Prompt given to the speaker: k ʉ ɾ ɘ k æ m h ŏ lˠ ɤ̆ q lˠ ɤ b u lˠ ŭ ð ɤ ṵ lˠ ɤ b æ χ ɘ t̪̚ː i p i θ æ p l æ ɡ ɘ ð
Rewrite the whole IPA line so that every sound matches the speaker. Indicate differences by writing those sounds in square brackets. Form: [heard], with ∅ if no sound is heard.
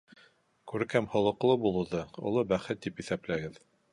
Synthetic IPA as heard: k ʉ ɾ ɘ k æ m h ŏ lˠ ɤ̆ q lˠ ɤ b u lˠ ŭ ð ɤ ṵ lˠ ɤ b æ χ ɘ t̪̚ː i p i θ æ p l æ ɡ ɘ ð